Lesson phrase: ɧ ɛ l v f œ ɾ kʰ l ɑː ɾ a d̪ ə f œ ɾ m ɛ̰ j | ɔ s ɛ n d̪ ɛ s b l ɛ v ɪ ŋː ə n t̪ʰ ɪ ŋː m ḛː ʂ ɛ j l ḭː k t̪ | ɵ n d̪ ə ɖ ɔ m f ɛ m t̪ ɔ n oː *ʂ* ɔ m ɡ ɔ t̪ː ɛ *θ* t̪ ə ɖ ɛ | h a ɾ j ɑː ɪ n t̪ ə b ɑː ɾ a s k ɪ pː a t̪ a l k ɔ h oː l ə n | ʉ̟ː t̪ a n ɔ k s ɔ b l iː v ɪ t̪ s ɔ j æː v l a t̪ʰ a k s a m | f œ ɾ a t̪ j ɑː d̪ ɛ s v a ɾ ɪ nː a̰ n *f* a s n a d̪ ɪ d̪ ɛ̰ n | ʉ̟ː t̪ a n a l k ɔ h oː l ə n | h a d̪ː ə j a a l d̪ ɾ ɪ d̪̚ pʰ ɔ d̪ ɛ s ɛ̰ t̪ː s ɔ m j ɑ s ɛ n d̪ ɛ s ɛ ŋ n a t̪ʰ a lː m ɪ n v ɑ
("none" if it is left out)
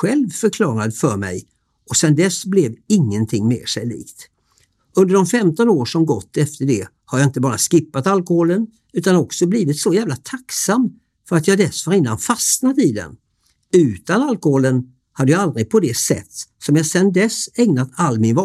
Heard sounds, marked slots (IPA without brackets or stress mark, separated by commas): ʂ, f, f